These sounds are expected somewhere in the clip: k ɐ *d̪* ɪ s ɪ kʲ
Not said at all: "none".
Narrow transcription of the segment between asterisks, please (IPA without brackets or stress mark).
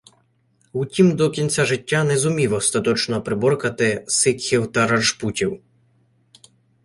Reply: t̪